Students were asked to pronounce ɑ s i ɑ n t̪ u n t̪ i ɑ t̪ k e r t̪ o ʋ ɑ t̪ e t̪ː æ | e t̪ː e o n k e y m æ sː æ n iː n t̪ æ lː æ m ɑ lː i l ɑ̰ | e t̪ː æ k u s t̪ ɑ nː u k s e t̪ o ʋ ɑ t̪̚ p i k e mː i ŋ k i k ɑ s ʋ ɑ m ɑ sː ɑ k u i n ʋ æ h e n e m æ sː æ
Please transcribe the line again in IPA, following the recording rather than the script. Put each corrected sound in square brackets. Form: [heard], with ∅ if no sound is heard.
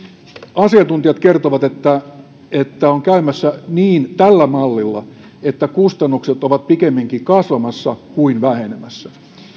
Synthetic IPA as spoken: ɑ s i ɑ n t̪ u n t̪ i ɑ t̪ k e r t̪ o ʋ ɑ t̪ e t̪ː æ | e t̪ː [æ] o [ŋ] k [æ] y m æ sː æ n iː n t̪ æ lː æ m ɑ lː i [lː] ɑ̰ | e t̪ː æ k u s t̪ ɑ nː u k s e t̪ o ʋ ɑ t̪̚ p i k e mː i ŋ k i k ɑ s ʋ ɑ m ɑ sː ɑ k u i n ʋ æ h e n e m æ sː æ